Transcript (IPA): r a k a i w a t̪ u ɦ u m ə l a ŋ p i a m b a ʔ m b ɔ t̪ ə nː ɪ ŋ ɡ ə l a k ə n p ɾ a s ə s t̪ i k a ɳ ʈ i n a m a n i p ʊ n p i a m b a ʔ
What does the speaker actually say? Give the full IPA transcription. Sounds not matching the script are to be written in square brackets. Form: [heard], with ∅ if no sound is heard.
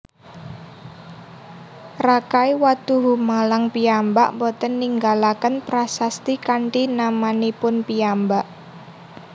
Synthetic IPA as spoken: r a k a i w a t̪ u ɦ u m [a] l a ŋ p i a m b a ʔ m b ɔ t̪ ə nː [i] ŋ ɡ [a] l a k ə n p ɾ a s [a] s t̪ i k a ɳ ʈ i n a m a n i p ʊ n p i a m b a ʔ

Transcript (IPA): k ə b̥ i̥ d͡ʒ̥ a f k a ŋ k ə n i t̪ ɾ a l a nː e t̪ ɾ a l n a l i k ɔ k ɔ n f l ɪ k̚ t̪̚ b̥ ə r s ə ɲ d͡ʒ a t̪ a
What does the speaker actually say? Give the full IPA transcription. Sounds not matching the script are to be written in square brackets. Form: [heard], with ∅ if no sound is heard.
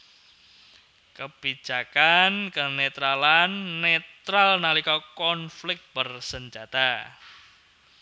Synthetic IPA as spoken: k ə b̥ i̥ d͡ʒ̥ a [∅] k a [n] k ə n [e] t̪ ɾ a l a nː e t̪ ɾ a l n a l i k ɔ k ɔ n f l ɪ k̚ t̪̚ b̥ ə r s ə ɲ d͡ʒ a t̪ a

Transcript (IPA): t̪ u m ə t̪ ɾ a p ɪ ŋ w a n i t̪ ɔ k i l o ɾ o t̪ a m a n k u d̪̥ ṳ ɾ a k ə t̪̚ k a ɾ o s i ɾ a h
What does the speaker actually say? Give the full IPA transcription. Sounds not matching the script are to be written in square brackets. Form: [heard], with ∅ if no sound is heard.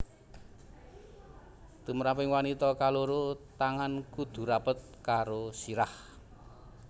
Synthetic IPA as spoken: t̪ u m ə [∅] ɾ a p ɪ ŋ w a n i t̪ ɔ k [a] l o ɾ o t̪ a [ŋ] a n k u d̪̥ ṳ ɾ a [p] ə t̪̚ k a ɾ o s i ɾ a h

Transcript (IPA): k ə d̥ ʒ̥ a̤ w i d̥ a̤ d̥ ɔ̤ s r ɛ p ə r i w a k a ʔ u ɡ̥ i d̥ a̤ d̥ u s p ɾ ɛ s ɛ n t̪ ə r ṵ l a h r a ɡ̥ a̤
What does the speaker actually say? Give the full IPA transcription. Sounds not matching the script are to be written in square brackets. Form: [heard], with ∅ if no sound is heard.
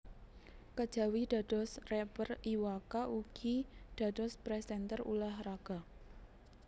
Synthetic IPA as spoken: k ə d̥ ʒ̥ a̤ w i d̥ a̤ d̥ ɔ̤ s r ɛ p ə r i w a k a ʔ u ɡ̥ i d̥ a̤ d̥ [ɔ] s p ɾ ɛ s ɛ n t̪ ə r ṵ l a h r a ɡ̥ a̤

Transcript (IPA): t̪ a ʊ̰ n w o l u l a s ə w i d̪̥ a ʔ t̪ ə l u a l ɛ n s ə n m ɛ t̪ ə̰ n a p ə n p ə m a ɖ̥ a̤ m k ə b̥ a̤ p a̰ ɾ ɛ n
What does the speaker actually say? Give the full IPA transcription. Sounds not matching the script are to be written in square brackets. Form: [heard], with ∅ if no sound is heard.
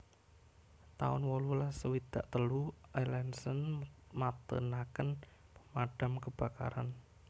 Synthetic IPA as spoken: t̪ a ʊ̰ n w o l u l a s ə w i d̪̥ a ʔ t̪ ə l u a l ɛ n s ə n m [a] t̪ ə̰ n a [k] ə n p ə m a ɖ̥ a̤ m k ə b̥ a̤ [k] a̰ ɾ [a] n

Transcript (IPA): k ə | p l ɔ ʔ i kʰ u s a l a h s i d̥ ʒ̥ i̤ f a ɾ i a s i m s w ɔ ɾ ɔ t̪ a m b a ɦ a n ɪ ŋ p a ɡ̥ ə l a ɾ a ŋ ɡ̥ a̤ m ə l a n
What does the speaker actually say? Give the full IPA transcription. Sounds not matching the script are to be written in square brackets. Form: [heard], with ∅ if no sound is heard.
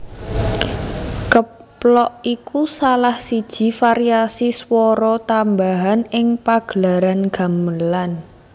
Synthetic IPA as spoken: k ə | p l ɔ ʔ i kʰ u s a l a h s i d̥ ʒ̥ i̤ f a ɾ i a s i [∅] s w ɔ ɾ ɔ t̪ a m b a ɦ a n ɪ ŋ p a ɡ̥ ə l a ɾ a [n] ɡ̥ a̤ m ə l a n

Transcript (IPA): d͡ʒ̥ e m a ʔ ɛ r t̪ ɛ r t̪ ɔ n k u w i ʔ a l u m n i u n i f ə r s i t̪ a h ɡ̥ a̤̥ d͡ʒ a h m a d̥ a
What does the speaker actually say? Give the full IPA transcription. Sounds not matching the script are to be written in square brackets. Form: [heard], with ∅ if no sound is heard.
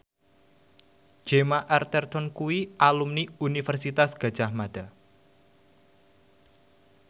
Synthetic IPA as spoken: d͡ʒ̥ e m a ʔ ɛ r t̪ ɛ r t̪ ɔ n k u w i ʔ a l u m n i u n i f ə r s i t̪ a [s] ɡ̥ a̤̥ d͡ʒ a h m a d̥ a

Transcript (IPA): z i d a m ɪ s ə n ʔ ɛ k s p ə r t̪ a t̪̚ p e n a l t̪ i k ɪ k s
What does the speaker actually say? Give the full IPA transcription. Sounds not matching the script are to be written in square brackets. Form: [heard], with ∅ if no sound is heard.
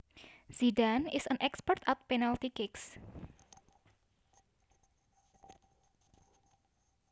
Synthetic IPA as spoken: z i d a [n] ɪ s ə n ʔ ɛ k s p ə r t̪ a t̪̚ p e n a l t̪ i k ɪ k s

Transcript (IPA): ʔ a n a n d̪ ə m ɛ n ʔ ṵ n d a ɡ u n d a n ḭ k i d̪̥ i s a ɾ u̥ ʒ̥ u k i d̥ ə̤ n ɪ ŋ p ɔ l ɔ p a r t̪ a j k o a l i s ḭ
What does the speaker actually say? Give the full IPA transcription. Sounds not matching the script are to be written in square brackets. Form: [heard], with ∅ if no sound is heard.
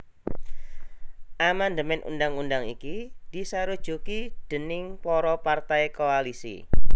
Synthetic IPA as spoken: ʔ a [m] a n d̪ ə m ɛ n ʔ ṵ n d a [ŋ] u n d a [ŋ] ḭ k i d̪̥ i s a ɾ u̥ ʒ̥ u k i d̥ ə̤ n ɪ ŋ p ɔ [ɾ] ɔ p a r t̪ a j k o a l i s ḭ

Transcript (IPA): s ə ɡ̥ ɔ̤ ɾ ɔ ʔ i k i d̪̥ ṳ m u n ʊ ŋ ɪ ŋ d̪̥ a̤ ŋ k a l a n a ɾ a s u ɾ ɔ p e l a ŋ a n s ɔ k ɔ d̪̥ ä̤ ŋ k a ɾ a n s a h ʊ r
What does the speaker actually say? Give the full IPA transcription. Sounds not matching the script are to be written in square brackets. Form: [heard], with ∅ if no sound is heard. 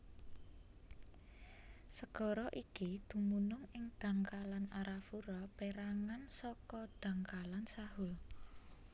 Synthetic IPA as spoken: s ə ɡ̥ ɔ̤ ɾ ɔ ʔ i k i d̪̥ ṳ m u n ʊ ŋ ɪ ŋ d̪̥ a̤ ŋ k a l a n a ɾ a [f] u ɾ ɔ p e [ɾ] a ŋ a n s ɔ k ɔ d̪̥ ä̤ ŋ k a [l] a n s a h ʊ [l]

